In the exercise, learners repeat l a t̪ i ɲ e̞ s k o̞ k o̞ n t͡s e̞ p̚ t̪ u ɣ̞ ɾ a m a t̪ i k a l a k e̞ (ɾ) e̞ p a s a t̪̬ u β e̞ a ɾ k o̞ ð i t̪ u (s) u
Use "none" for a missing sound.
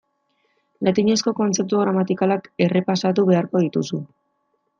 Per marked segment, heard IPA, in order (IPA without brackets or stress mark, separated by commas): r, s